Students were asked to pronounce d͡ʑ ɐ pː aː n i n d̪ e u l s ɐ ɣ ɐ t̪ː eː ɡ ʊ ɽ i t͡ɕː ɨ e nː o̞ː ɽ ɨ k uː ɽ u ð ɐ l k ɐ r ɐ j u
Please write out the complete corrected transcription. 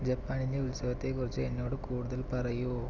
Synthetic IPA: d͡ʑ ɐ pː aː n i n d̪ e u l s ɐ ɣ ɐ t̪ː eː k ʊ r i t͡ɕː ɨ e nː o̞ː ɽ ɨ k uː ɽ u ð ɐ l p ɐ r ɐ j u